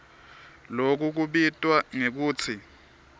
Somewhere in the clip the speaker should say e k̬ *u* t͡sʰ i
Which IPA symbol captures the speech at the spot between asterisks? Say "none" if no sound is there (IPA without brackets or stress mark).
uː